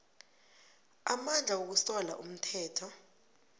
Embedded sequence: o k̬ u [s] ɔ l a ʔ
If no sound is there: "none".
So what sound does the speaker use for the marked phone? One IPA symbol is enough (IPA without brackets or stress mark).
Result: s